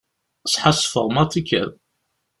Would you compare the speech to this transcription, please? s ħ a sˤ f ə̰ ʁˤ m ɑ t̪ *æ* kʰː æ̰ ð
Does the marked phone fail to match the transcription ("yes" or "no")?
yes